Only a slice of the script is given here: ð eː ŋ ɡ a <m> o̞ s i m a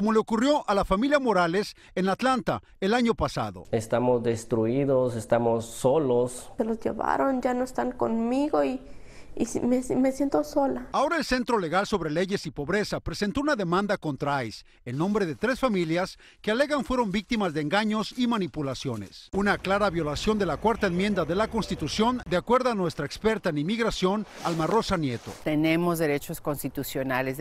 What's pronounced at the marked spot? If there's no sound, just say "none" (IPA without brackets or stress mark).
ɲ